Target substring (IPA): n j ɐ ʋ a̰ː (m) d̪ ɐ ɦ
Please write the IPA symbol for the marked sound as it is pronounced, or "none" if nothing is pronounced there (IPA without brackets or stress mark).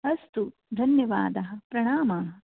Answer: none